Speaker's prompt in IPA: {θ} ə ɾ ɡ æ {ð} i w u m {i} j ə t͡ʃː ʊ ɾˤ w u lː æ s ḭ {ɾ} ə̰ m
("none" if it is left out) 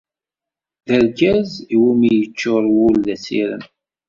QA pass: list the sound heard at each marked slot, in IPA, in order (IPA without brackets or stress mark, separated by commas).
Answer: ð, z, i, ɾ